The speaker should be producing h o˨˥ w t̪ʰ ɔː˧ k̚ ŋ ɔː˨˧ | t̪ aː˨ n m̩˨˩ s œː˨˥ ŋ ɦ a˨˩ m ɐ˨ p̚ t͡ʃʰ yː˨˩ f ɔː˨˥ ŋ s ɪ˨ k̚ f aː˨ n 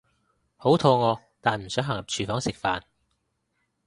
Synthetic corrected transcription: h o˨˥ w t̪ʰ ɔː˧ ŋ ɔː˨˧ | t̪ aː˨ n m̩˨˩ s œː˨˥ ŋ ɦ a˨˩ ŋ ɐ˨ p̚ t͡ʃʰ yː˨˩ f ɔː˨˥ ŋ s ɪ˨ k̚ f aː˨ n